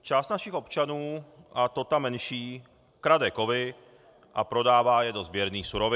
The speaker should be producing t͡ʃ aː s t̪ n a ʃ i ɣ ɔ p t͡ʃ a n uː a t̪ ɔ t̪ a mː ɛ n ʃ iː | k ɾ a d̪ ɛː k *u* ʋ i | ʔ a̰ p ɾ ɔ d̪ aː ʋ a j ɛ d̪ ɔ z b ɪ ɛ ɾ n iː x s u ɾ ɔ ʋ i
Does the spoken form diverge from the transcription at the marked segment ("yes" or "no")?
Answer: yes